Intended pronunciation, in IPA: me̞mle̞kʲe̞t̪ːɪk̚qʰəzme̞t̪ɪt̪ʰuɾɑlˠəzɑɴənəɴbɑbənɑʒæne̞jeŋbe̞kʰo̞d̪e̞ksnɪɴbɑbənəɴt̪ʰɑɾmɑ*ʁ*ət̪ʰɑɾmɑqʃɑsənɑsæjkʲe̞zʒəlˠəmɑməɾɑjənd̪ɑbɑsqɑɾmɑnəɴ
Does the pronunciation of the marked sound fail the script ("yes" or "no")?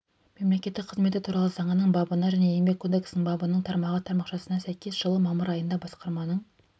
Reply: no